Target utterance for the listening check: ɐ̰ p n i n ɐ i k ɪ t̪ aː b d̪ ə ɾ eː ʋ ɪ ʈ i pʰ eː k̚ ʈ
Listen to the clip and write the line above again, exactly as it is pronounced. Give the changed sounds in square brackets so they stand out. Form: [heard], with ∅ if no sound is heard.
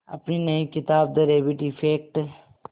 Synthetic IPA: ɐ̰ p n i n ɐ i k ɪ t̪ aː b d̪ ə ɾ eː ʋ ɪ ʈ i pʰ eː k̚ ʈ